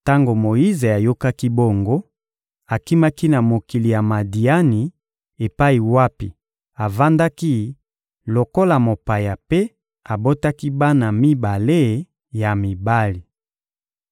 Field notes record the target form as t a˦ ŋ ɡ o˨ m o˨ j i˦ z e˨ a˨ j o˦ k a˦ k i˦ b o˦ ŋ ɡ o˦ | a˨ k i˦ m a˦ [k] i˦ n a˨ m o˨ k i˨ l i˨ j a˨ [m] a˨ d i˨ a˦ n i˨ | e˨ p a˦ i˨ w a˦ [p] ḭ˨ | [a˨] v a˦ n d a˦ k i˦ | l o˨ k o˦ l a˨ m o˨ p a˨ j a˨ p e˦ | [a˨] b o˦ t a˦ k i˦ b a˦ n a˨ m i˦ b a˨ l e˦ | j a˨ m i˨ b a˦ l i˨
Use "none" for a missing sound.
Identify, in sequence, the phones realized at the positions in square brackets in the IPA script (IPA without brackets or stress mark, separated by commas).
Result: k, m, p, a˨, a˨